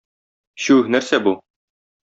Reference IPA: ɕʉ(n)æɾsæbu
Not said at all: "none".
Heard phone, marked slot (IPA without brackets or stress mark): n